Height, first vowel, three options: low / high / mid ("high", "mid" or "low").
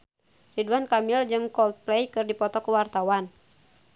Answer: high